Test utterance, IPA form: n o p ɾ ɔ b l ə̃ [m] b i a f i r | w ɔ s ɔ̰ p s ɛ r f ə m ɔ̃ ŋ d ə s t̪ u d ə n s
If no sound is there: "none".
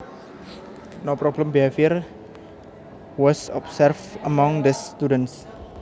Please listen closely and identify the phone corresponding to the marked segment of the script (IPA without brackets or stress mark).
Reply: m